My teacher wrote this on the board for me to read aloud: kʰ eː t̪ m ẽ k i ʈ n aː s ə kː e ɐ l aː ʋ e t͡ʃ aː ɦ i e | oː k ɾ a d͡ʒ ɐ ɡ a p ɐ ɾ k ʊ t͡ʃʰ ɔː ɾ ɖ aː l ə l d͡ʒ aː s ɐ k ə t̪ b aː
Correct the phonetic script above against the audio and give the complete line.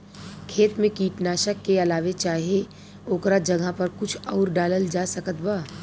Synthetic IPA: kʰ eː t̪ m ẽ k iː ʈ n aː ʃ ə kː e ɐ l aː ʋ e t͡ʃ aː ɦ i e | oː k ɾ a d͡ʒ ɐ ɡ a p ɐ ɾ k ʊ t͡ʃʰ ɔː ɾ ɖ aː l ə l d͡ʒ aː s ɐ k ə t̪ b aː